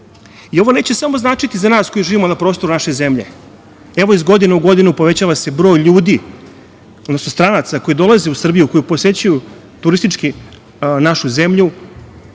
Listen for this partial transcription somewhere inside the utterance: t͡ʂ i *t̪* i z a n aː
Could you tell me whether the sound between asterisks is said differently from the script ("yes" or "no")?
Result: no